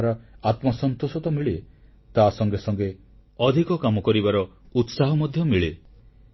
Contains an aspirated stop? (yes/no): no